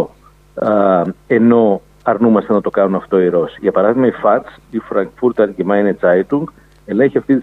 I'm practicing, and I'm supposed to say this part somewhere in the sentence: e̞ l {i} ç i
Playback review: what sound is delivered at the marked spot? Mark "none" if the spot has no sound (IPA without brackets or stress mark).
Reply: e